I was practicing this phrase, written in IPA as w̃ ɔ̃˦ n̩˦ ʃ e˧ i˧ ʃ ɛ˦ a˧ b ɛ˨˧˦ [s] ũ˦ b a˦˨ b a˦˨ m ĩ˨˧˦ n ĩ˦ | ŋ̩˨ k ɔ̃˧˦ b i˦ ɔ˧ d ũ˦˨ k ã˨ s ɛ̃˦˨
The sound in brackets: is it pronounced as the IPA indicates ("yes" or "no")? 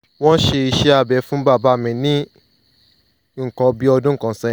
no